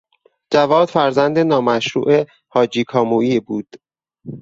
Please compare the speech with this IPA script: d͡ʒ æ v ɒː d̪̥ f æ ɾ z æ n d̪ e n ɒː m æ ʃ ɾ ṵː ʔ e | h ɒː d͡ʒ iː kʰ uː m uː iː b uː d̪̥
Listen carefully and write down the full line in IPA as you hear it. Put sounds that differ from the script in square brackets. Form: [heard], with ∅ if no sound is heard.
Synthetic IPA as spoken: d͡ʒ æ v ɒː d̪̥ f æ ɾ z æ n d̪ e n ɒː m æ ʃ ɾ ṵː ʔ e | h ɒː d͡ʒ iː kʰ [ɒː] m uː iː b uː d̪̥